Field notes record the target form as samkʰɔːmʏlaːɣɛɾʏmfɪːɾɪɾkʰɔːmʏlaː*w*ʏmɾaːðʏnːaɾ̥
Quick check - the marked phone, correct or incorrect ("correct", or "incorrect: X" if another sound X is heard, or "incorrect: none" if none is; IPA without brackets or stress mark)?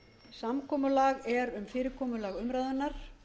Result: incorrect: ɣ